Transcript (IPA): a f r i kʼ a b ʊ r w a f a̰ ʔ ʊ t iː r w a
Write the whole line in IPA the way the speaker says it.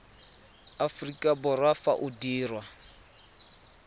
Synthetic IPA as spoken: a f r i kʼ a b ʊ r w a f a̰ ʔ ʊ d iː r w a